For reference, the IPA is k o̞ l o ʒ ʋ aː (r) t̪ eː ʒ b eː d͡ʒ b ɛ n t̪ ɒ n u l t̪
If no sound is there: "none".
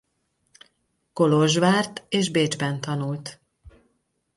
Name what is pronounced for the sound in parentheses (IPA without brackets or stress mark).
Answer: r